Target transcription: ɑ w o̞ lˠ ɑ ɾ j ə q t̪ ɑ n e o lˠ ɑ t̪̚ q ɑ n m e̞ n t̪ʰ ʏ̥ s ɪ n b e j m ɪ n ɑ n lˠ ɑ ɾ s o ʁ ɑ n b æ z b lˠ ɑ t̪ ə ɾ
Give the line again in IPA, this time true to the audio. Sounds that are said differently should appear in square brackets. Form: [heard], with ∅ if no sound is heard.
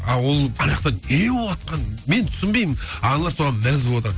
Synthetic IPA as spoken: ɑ w o̞ lˠ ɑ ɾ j [ɑ] q t̪ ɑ n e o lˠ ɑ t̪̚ q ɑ n m e̞ n t̪ʰ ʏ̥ s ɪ n b e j m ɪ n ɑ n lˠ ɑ ɾ s o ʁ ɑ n [m] æ z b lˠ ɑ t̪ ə ɾ